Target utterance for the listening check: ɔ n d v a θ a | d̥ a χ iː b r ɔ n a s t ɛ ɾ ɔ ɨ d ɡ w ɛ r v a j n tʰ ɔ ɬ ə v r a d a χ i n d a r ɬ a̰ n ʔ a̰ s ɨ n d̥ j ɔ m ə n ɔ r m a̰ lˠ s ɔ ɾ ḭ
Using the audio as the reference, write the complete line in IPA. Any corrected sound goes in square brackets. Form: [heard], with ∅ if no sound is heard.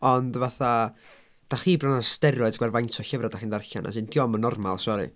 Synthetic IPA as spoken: ɔ n d v a θ a | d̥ a χ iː b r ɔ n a s t ɛ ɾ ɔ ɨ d ɡ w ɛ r v a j n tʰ ɔ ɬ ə v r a d a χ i n d a r ɬ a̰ n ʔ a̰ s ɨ n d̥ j ɔ m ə n ɔ r m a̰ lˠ s ɔ ɾ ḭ